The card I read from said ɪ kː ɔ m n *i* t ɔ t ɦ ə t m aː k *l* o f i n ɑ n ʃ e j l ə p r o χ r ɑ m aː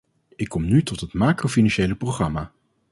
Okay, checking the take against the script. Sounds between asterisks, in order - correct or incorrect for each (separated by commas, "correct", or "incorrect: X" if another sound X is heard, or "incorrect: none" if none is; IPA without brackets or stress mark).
incorrect: y, incorrect: r